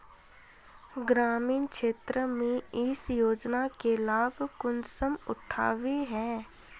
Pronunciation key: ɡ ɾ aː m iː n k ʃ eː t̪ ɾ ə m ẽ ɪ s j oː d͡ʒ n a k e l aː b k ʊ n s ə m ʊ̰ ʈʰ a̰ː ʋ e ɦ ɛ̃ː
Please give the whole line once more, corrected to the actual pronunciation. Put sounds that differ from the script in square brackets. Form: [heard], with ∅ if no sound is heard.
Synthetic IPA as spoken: ɡ ɾ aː m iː n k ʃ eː t̪ ɾ ə m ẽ ɪ s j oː d͡ʒ n a k e l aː b k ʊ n s ə m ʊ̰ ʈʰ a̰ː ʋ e ɦ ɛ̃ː